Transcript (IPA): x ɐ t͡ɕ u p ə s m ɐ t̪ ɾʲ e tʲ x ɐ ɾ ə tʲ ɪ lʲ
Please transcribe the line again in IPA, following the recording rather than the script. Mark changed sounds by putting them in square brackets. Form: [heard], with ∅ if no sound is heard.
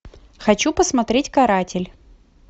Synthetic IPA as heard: x ɐ t͡ɕ u p ə s m ɐ t̪ ɾʲ e tʲ [k] ɐ ɾ [a] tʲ ɪ lʲ